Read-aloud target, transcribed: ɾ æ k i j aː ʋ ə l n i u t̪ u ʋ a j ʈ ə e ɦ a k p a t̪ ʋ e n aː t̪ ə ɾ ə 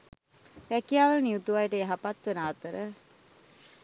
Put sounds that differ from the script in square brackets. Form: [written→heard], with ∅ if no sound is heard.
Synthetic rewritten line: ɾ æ k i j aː ʋ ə l n i u t̪ u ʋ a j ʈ ə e ɦ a [k→∅] p a t̪ ʋ e n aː t̪ ə ɾ ə